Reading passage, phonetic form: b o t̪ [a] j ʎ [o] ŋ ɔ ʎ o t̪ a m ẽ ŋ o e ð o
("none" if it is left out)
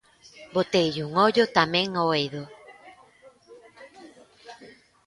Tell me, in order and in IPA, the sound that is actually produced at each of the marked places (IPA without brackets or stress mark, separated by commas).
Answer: e, u